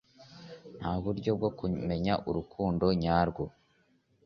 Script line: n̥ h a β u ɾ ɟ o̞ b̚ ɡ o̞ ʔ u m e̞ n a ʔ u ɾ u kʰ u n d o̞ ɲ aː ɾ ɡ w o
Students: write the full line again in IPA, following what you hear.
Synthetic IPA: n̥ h a β u ɾ ɟ o̞ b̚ ɡ o̞ k u m e̞ ɲ a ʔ u ɾ u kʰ uː n d o̞ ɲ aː ɾ ɡ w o

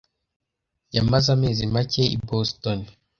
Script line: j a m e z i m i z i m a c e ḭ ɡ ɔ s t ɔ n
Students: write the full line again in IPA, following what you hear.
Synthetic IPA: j a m a z a m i z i m a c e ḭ b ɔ s t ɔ n

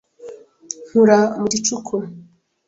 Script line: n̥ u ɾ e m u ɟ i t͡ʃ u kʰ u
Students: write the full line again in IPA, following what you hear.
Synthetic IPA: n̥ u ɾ a m u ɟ i t͡ʃ u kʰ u

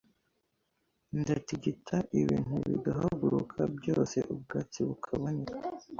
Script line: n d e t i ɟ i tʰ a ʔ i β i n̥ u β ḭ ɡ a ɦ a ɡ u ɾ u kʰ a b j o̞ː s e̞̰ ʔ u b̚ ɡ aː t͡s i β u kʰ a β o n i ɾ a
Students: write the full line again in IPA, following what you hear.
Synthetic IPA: n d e t i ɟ i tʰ a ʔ i β iː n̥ u β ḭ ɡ a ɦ a ɡ u ɾ u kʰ a b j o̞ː s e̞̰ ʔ u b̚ ɡ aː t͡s i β u kʰ a β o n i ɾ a

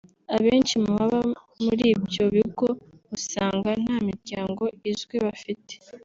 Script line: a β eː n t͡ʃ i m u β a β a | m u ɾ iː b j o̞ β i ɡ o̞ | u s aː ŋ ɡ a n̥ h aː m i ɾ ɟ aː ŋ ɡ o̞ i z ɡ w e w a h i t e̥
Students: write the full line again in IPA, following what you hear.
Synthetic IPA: a β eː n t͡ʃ i m u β a β a | m u ɾ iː b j o̞ β i ɡ o̞ | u s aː ŋ ɡ a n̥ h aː m i ɾ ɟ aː ŋ ɡ o̞ i z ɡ w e β a f i t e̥

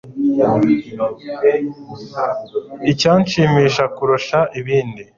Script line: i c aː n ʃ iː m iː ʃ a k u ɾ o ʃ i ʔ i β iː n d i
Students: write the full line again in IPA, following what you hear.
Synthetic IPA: i c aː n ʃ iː m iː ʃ a k u ɾ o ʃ a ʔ i β iː n d i

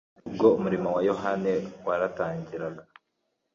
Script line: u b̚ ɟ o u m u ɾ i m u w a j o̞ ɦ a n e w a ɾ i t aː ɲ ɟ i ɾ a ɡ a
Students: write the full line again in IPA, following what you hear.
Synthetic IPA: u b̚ ɡ o u m u ɾ i m o w a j o̞ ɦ a n e w a ɾ a t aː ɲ ɟ i ɾ a ɡ a

